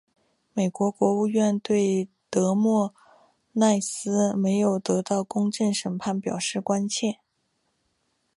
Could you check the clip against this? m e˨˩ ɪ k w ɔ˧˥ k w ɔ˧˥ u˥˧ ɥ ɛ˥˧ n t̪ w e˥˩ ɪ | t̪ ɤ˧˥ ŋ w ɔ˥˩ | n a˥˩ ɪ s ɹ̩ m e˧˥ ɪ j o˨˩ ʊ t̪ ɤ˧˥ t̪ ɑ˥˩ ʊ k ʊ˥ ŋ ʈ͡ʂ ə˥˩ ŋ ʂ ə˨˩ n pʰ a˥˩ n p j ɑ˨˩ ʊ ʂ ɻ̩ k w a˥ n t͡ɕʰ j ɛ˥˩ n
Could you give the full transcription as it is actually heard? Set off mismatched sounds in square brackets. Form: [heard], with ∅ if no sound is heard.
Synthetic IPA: m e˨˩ ɪ k w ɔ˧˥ k w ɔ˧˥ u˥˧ ɥ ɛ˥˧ n t̪ w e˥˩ ɪ | t̪ ɤ˧˥ [m] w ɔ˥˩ | n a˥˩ ɪ s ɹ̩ m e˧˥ ɪ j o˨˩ ʊ t̪ ɤ˧˥ t̪ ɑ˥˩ ʊ k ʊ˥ ŋ ʈ͡ʂ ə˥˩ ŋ ʂ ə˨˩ n pʰ a˥˩ n p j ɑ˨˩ ʊ ʂ ɻ̩ k w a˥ n t͡ɕʰ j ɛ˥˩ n